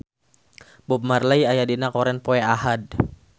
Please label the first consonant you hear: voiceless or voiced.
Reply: voiced